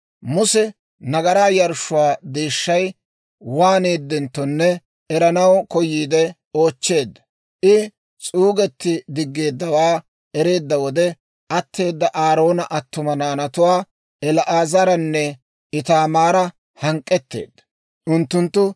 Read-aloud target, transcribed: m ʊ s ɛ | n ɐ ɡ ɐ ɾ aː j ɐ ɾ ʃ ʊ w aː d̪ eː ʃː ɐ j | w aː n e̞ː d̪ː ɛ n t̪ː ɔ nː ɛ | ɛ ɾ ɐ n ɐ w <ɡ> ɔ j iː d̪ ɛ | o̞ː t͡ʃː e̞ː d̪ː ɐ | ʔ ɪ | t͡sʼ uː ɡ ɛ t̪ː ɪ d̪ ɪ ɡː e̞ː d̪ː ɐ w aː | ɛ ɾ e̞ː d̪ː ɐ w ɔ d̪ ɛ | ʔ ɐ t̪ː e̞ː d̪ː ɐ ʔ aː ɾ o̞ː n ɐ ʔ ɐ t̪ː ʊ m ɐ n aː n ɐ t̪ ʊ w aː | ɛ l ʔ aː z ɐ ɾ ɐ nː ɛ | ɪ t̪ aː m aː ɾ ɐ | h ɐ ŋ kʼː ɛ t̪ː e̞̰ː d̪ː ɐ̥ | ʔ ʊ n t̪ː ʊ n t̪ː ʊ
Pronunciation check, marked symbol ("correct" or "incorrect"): incorrect